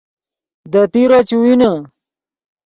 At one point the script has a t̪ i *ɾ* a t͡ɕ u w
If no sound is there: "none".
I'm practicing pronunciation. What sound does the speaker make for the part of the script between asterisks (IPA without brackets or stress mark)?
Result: ɾ